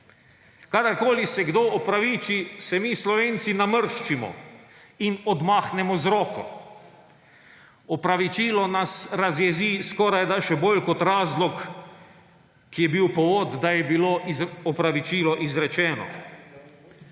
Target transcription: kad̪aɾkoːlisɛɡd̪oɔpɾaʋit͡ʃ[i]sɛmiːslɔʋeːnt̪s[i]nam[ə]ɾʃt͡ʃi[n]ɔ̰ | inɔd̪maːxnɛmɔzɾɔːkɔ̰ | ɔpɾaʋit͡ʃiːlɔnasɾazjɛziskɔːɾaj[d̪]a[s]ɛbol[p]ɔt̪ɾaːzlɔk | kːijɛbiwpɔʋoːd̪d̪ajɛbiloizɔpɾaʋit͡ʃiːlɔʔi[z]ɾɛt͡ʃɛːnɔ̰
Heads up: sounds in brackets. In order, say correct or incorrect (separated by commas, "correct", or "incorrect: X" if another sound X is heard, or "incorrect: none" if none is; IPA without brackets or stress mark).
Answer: correct, correct, correct, incorrect: m, correct, incorrect: ʃ, incorrect: k, correct